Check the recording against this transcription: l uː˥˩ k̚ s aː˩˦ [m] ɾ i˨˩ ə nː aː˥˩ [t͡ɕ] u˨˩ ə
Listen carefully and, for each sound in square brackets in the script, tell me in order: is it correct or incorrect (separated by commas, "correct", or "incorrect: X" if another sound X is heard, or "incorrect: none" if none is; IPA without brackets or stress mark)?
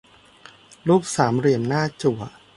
correct, correct